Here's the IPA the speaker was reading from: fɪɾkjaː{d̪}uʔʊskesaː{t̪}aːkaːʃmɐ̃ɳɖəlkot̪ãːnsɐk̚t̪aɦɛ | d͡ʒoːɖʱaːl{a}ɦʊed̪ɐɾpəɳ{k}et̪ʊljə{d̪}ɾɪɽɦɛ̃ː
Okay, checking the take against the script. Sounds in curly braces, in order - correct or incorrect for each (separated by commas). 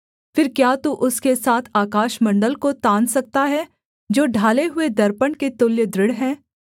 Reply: incorrect, incorrect, incorrect, correct, correct